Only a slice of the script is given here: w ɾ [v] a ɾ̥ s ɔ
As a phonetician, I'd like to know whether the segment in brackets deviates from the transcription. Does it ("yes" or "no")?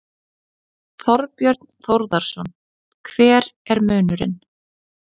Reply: yes